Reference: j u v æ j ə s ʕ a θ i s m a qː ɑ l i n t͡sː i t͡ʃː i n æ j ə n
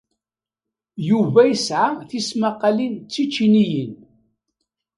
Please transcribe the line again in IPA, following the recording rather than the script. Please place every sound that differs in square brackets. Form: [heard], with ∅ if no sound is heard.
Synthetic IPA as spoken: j u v æ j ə s ʕ a θ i s m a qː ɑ l i n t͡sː i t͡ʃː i n [i] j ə n